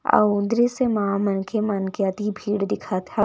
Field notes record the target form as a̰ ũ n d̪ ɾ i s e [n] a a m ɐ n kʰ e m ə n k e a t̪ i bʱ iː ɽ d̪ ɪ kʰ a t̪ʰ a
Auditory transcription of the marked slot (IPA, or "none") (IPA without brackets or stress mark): m